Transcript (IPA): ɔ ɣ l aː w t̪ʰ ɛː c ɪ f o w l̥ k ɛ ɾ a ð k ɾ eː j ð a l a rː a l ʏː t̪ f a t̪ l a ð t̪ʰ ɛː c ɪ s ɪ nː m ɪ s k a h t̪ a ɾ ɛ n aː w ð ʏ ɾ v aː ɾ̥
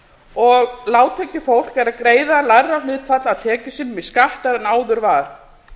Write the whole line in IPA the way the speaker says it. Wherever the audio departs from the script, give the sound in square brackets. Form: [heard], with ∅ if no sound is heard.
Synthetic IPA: ɔ ɣ l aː w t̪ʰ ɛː c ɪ f o w l̥ k ɛ ɾ a ð k ɾ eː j ð a l a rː a l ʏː t̪ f a t̪ l a ð t̪ʰ ɛː c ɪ s ɪ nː m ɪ s k a h t̪ a ɾ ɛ n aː w ð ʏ ɾ v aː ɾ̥

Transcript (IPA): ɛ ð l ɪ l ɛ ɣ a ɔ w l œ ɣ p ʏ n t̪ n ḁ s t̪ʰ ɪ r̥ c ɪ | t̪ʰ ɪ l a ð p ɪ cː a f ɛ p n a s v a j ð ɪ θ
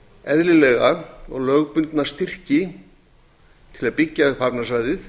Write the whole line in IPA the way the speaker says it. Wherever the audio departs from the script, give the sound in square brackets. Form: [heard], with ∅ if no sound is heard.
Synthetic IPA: ɛ ð l ɪ l ɛ ɣ a ɔ [ɣ] l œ ɣ p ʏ n t̪ n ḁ s [t̪] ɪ r̥ c ɪ | t̪ʰ ɪ l a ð p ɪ cː a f [a] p n a s v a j ð ɪ θ

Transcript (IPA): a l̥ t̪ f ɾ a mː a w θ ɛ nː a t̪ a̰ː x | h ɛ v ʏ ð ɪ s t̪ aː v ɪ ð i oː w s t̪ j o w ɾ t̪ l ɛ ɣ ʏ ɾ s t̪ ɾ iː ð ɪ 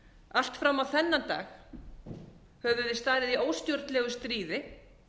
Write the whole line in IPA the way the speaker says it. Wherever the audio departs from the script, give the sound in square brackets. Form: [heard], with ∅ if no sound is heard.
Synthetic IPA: a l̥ t̪ f ɾ a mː a w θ ɛ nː a t̪ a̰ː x | h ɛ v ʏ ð ɪ s t̪ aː [ð] ɪ ð i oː w s t̪ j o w ɾ t̪ l ɛ ɣ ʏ [∅] s t̪ ɾ iː ð ɪ

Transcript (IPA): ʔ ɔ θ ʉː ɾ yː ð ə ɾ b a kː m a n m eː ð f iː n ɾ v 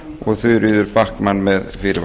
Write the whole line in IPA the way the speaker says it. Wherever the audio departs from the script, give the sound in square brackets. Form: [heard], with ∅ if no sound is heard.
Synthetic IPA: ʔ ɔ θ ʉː ɾ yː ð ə ɾ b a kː m a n m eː ð f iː [∅] ɾ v

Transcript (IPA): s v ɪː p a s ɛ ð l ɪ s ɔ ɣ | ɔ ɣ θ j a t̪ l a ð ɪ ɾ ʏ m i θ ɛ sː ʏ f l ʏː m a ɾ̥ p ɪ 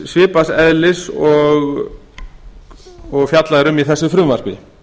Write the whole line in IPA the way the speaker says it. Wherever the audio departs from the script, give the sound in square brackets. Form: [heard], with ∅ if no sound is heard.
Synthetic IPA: s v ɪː p a s ɛ ð l ɪ s ɔ ɣ | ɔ ɣ [f] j a t̪ l a ð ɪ ɾ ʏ m i θ ɛ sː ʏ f [ɾ] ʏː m a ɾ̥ p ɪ

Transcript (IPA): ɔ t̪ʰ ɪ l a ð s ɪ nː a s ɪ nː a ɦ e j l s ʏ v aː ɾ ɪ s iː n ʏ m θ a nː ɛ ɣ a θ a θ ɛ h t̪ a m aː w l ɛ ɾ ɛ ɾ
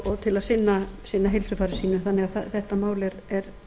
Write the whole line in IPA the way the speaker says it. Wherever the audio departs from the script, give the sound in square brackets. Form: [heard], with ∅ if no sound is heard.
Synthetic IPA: ɔ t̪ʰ ɪ l a ð s ɪ nː a s ɪ nː a ɦ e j l s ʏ [f] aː ɾ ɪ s iː n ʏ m θ a nː ɛ ɣ a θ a θ ɛ h t̪ a m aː w l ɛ ɾ ɛ ɾ

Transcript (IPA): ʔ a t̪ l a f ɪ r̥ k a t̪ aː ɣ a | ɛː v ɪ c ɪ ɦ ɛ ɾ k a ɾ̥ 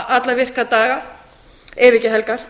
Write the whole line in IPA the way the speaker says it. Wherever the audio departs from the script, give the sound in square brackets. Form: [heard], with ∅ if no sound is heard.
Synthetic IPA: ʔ a t̪ l a [v] ɪ r̥ k a t̪ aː ɣ a | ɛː v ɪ c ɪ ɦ ɛ [l] k a ɾ̥

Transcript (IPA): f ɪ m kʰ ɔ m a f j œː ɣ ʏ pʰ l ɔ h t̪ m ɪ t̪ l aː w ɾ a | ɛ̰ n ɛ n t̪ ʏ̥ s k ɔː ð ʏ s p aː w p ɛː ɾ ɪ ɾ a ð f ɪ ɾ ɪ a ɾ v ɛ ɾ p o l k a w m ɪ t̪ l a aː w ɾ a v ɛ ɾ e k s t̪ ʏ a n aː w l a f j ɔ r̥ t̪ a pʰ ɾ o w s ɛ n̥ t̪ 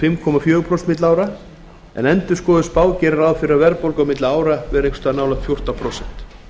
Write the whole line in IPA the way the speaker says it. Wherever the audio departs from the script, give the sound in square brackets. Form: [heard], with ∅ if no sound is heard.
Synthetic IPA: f ɪ m kʰ ɔ m a f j œː ɣ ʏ pʰ [ɾ] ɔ [s] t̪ m ɪ t̪ l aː w ɾ a | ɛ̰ n ɛ n t̪ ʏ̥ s k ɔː ð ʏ s p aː w [c] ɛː ɾ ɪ ɾ a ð f ɪ ɾ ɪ a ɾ v ɛ ɾ p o l k a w m ɪ t̪ l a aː w ɾ a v ɛ ɾ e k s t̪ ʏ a n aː w l a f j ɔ r̥ t̪ a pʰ ɾ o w s ɛ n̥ t̪

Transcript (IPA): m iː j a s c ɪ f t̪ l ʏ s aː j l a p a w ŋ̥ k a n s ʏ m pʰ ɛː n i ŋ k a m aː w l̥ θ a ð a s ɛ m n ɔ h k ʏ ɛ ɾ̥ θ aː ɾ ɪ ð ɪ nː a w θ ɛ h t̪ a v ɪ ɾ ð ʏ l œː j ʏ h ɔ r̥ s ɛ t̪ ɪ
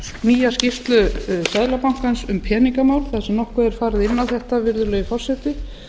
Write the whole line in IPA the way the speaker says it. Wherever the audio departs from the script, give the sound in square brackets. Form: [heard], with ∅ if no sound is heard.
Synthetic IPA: m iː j a s c ɪ f t̪ l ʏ s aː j l a p a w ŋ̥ k a n s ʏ m pʰ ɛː n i ŋ k a m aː w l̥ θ a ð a s ɛ m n ɔ h k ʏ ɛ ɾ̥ [f] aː ɾ ɪ ð ɪ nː a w θ ɛ h t̪ a v ɪ ɾ ð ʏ l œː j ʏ [f] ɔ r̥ s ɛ t̪ ɪ

